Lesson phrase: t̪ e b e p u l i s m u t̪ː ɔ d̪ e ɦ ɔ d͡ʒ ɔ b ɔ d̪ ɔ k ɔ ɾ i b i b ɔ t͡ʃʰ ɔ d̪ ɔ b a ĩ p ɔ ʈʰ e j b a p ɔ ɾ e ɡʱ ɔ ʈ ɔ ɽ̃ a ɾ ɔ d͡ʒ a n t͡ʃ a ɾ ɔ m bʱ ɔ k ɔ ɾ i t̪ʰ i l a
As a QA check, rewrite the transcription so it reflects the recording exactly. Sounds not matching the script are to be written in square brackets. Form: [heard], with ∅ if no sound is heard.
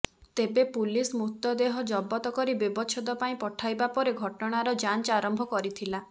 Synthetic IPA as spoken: t̪ e b e p u l i s m u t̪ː ɔ d̪ e ɦ ɔ d͡ʒ ɔ b ɔ [t̪] ɔ k ɔ ɾ i b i b ɔ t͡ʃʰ ɔ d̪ ɔ [p] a ĩ p ɔ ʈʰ [a] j b a p ɔ ɾ e ɡʱ ɔ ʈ ɔ ɽ̃ a ɾ ɔ d͡ʒ a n t͡ʃ a ɾ ɔ m bʱ ɔ k ɔ ɾ i t̪ʰ i l a